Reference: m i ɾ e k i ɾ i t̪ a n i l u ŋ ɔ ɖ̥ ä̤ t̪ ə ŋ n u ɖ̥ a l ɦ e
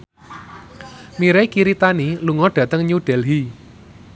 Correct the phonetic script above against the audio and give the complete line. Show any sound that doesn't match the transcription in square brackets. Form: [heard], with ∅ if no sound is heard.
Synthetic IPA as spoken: m i ɾ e k i ɾ i t̪ a n i l u ŋ ɔ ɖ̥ ä̤ t̪ ə ŋ [ɲ] u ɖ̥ [ɛ] l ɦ [i]